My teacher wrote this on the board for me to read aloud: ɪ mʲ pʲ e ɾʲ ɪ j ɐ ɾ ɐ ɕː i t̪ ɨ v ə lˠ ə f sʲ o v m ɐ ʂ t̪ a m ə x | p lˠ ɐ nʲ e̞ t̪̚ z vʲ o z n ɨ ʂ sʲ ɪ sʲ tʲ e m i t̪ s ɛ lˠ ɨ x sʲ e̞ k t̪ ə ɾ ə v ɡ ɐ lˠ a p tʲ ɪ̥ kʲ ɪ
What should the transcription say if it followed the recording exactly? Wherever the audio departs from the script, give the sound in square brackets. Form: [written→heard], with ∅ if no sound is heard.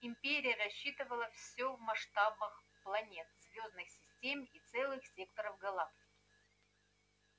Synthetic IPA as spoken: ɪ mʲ pʲ e ɾʲ ɪ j [ɐ→ə] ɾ ɐ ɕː i t̪ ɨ v ə lˠ ə f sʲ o v m ɐ ʂ t̪ a [m→b] ə x | p lˠ ɐ nʲ e̞ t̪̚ z vʲ o z n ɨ [ʂ→x] sʲ ɪ sʲ tʲ e m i t̪ s ɛ lˠ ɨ x sʲ e̞ k t̪ ə ɾ ə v ɡ ɐ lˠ a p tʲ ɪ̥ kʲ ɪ